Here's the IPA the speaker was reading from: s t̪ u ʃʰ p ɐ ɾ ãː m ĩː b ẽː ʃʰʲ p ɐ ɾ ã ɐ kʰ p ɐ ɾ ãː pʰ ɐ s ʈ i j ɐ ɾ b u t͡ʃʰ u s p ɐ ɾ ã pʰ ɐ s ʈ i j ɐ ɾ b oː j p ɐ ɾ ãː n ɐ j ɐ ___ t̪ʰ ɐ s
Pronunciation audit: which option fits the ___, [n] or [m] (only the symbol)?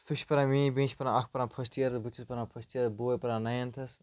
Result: n